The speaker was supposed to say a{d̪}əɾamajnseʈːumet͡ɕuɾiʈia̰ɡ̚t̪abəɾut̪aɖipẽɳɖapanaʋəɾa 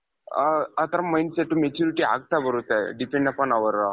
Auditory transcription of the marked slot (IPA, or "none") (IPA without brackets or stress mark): t̪